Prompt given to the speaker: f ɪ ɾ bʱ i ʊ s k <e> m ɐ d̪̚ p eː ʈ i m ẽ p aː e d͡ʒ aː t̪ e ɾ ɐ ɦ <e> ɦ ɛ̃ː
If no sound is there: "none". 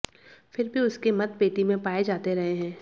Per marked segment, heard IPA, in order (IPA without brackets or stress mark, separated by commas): e, e